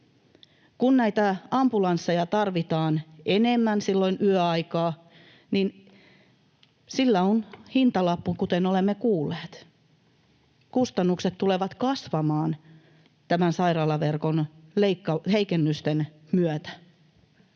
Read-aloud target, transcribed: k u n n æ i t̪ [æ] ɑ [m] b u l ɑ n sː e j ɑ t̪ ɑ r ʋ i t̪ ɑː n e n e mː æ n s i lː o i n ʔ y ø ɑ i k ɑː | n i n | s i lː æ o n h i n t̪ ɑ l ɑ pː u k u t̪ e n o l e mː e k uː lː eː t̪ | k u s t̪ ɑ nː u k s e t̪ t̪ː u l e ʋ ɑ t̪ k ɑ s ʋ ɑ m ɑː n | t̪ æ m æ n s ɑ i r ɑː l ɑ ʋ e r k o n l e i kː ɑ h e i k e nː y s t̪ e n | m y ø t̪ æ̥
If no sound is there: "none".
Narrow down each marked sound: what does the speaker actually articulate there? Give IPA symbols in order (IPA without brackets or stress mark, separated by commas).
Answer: æ, m